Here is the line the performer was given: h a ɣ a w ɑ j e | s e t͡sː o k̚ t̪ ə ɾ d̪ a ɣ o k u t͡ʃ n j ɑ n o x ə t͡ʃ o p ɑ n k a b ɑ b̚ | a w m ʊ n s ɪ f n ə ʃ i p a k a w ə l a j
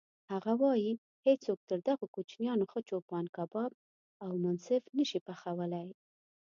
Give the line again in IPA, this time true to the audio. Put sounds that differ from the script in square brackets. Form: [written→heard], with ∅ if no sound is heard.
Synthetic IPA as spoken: h a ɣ a w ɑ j [e→i] | [s→h] e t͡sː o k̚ t̪ ə ɾ d̪ a ɣ o k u t͡ʃ n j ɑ n o x ə t͡ʃ o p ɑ n k a b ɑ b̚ | a w m ʊ n s ɪ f n ə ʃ i p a [k→x] a w ə l a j